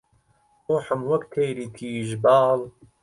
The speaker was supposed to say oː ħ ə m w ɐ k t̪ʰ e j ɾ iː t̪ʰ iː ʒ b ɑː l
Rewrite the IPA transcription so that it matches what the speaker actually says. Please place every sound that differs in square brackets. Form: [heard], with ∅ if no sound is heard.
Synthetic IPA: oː ħ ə m w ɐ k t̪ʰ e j ɾ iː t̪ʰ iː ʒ b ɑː l